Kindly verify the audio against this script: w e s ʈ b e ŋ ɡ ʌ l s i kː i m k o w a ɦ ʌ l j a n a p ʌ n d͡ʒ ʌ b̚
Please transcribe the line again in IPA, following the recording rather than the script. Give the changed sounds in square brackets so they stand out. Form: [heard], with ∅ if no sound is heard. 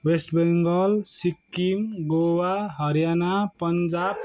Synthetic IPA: w e s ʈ b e ŋ ɡ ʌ l s i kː i m [ɡ] o w a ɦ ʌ [ɾ] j a n a p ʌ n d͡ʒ [a] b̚